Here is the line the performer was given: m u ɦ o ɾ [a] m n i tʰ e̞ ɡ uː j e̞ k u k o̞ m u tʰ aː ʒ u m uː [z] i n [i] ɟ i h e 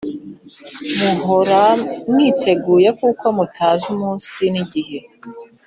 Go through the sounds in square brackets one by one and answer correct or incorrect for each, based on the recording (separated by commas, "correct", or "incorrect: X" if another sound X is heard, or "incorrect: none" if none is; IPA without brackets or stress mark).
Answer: correct, incorrect: s, correct